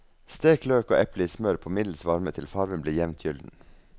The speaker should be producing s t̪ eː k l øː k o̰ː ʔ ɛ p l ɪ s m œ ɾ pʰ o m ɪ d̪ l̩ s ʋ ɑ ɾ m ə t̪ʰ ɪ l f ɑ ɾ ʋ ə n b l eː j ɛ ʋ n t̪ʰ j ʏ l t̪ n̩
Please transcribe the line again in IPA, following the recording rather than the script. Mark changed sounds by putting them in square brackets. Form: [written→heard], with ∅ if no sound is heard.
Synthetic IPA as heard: s t̪ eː k l øː k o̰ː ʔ ɛ p l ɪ s m œ ɾ pʰ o m ɪ d̪ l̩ s ʋ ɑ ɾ m ə t̪ʰ ɪ l f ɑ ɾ ʋ ə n b l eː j ɛ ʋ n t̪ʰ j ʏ l [t̪→d̪] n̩